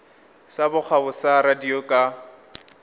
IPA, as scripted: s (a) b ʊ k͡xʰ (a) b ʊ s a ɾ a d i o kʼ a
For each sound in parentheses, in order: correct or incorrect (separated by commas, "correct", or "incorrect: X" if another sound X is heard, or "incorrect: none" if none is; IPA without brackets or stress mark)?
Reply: correct, correct